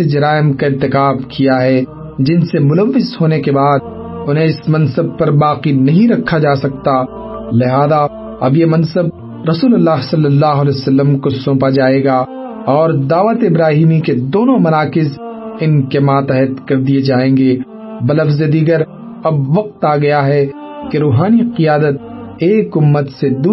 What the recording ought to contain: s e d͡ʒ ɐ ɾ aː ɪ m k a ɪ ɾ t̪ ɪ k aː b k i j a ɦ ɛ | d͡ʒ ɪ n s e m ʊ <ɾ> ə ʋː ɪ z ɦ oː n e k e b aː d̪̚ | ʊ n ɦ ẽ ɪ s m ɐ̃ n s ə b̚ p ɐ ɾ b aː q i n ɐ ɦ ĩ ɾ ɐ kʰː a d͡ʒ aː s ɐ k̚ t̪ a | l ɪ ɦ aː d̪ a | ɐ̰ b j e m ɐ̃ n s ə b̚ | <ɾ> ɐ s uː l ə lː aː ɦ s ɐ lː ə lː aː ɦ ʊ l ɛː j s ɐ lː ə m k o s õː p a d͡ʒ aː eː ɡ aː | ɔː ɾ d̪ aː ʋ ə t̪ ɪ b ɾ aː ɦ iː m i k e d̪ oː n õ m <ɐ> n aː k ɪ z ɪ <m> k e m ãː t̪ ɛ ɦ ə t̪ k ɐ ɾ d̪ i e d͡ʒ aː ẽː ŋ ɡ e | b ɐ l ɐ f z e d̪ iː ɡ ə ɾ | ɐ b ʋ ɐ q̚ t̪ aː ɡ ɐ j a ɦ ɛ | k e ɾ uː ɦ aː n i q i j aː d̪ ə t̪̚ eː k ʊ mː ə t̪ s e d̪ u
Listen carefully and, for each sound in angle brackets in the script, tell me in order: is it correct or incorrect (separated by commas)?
incorrect, correct, correct, incorrect